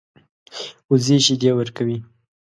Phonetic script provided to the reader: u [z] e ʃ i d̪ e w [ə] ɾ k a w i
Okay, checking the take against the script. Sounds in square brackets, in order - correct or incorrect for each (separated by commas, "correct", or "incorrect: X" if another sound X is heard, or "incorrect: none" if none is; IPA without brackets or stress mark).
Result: correct, correct